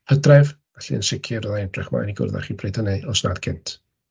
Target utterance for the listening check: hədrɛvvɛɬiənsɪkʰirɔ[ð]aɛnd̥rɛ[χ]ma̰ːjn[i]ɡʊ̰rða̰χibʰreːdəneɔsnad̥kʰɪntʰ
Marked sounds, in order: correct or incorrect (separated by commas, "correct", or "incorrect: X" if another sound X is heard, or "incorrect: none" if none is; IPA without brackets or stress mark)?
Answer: correct, correct, correct